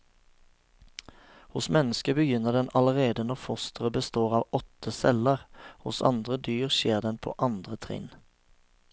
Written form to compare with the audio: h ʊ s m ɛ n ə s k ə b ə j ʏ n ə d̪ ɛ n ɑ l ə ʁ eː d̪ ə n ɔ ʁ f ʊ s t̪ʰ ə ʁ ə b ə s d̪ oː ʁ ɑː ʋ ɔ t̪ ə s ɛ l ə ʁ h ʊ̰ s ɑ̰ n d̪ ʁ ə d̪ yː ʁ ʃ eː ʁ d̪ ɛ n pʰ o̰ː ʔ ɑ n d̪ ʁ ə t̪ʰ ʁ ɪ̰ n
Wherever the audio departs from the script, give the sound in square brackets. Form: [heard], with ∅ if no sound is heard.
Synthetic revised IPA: h ʊ s m ɛ n ə s k ə b ə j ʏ n ə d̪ ɛ n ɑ l ə ʁ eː d̪ ə n ɔ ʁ f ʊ s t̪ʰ ə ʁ ə b ə s [t̪] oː ʁ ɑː ʋ ɔ t̪ ə s ɛ l ə ʁ h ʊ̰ s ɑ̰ n d̪ ʁ ə d̪ yː ʁ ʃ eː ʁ d̪ ɛ n pʰ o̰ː ʔ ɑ n d̪ ʁ ə t̪ʰ ʁ ɪ̰ n

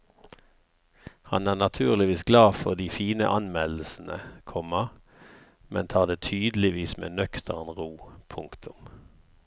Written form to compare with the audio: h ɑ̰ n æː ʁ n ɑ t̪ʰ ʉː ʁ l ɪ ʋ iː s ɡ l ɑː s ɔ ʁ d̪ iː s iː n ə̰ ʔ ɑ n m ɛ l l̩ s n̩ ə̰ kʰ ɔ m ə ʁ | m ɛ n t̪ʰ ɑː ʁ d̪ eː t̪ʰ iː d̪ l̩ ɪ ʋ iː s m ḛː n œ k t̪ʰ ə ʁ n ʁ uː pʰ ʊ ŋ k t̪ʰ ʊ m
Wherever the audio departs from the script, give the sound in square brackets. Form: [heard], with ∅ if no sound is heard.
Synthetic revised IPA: h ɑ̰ n æː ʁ n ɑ t̪ʰ ʉː ʁ l ɪ ʋ iː s ɡ l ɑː [f] ɔ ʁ d̪ iː [f] iː n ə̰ ʔ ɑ n m ɛ l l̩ s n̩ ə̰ kʰ ɔ m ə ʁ | m ɛ n t̪ʰ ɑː ʁ d̪ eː t̪ʰ [yː] d̪ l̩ ɪ ʋ iː s m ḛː n œ k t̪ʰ ə ʁ n ʁ uː pʰ ʊ ŋ k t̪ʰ ʊ m

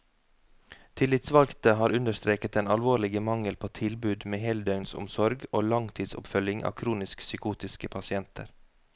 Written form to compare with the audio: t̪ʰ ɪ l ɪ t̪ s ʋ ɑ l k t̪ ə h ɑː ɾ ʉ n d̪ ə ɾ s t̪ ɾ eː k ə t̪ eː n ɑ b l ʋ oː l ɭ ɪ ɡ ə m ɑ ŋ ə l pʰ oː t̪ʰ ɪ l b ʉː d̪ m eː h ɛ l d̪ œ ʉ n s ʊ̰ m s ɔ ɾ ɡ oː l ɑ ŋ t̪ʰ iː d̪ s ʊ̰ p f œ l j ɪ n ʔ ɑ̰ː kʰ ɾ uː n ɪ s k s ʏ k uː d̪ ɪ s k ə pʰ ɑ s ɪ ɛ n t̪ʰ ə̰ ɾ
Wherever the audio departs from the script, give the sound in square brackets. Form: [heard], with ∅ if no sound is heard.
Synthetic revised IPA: t̪ʰ ɪ l ɪ t̪ s ʋ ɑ l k t̪ ə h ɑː ɾ ʉ n d̪ ə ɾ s t̪ ɾ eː k ə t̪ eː n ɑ [∅] l ʋ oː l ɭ ɪ ɡ ə m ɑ ŋ ə l pʰ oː t̪ʰ ɪ l b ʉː d̪ m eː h ɛ l d̪ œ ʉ n s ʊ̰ m s ɔ ɾ ɡ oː l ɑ ŋ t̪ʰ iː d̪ s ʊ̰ p f œ l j ɪ [ŋ] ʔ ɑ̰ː kʰ ɾ uː n ɪ s k s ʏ k uː [t̪] ɪ s k ə pʰ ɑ s ɪ ɛ n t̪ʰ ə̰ ɾ

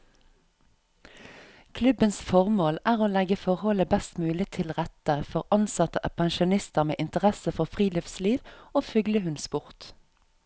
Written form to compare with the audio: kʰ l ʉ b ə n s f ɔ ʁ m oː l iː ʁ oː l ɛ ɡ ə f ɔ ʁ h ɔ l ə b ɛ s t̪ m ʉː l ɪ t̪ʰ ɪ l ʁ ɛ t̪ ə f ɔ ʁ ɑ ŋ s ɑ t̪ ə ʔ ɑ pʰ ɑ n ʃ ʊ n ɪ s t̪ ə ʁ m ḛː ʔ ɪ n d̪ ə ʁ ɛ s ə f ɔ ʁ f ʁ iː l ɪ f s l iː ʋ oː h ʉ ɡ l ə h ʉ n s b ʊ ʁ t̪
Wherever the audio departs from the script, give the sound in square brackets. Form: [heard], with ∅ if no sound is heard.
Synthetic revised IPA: kʰ l ʉ b ə n s f ɔ ʁ m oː l [æː] ʁ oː l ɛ ɡ ə f ɔ ʁ h ɔ l ə b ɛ s t̪ m ʉː l ɪ t̪ʰ ɪ l ʁ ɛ t̪ ə f ɔ ʁ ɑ [n] s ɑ t̪ ə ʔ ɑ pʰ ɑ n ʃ ʊ n ɪ s t̪ ə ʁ m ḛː ʔ ɪ n [t̪] ə ʁ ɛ s ə f ɔ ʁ f ʁ iː l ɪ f s l iː ʋ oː [f] ʉ ɡ l ə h ʉ n s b ʊ ʁ t̪

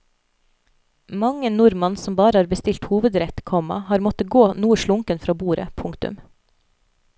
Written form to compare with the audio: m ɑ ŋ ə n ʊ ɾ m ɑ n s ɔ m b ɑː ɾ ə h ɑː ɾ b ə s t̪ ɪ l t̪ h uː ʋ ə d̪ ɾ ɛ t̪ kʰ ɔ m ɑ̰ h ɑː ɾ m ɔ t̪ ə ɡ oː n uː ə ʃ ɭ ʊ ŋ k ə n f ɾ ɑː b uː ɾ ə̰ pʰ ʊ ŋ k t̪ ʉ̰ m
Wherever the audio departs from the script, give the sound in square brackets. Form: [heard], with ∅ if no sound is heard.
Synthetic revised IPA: m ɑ ŋ ə n ʊ ɾ m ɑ n s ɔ m b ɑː ɾ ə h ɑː ɾ b ə s t̪ ɪ l t̪ h uː ʋ ə d̪ ɾ ɛ t̪ kʰ ɔ m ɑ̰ h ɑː ɾ m ɔ t̪ ə ɡ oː n uː ə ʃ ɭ ʊ ŋ k ə n f ɾ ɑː b uː ɾ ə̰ pʰ ʊ ŋ k t̪ ʉ̰ m

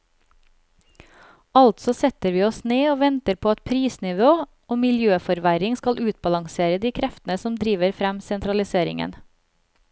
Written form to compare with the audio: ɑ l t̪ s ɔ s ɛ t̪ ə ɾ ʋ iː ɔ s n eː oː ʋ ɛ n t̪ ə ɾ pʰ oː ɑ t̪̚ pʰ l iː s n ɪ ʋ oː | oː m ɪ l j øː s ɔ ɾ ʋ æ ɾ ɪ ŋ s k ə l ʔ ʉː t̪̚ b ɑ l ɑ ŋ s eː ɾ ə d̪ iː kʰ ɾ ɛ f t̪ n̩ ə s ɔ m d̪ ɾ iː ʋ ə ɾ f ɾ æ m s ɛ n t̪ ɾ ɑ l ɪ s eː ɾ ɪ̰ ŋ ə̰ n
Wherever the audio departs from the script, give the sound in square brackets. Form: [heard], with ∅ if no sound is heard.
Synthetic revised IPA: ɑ l t̪ s ɔ s ɛ t̪ ə ɾ ʋ iː ɔ s n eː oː ʋ ɛ n t̪ ə ɾ pʰ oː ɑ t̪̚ pʰ [ɾ] iː s n ɪ ʋ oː | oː m ɪ l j øː [f] ɔ ɾ ʋ æ ɾ ɪ ŋ s k [ɑ] l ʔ ʉː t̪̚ b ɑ l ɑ ŋ s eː ɾ ə d̪ iː kʰ ɾ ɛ f t̪ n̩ ə s ɔ m d̪ ɾ iː ʋ ə ɾ f ɾ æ m s ɛ n t̪ ɾ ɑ l ɪ s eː ɾ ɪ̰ ŋ ə̰ n

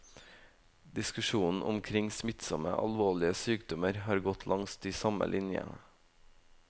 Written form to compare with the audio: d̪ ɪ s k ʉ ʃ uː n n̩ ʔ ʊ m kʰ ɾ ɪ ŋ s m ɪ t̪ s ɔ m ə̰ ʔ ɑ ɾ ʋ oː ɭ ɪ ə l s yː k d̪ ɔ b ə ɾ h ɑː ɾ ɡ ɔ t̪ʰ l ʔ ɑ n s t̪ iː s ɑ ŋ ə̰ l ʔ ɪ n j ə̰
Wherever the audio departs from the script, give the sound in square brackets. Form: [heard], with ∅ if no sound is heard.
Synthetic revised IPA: d̪ ɪ s k ʉ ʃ uː n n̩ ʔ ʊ m kʰ ɾ ɪ ŋ s m ɪ t̪ s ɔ m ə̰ ʔ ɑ [l] ʋ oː ɭ ɪ ə [∅] s yː k d̪ ɔ [m] ə ɾ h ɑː ɾ ɡ ɔ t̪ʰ l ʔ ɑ [ŋ] s t̪ iː s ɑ [m] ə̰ l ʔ ɪ n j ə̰

